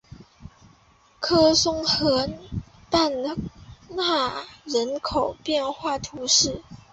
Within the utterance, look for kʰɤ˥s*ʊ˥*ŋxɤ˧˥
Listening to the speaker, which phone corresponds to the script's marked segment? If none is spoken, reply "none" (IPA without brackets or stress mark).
ʊ˥